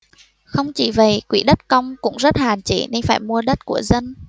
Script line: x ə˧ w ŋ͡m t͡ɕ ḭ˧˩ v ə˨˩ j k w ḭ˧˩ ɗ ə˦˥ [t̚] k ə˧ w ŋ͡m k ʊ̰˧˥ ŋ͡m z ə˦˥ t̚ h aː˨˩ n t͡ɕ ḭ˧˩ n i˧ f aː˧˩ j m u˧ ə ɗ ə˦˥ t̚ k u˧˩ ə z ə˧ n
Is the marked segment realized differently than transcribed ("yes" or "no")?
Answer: no